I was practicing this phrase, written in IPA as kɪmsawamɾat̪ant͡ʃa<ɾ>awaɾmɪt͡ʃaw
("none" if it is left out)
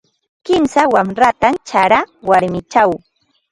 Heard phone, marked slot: ɾ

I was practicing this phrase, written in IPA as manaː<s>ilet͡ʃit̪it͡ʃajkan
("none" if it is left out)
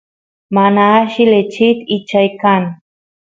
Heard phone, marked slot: ʃ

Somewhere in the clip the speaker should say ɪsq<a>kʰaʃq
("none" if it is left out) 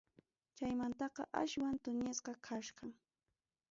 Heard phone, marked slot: ɑ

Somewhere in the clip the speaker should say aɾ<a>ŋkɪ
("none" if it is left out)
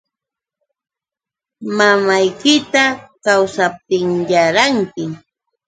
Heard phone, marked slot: a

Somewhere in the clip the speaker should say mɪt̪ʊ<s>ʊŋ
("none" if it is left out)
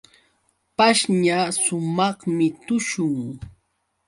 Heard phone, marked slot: ʃ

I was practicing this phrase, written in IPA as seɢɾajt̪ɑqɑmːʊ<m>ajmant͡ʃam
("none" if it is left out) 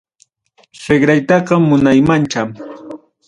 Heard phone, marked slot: n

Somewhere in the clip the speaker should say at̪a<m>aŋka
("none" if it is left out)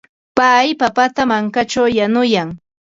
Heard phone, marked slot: m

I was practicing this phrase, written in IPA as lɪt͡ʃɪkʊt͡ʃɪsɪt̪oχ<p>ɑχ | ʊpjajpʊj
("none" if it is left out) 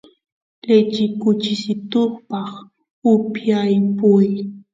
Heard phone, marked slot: p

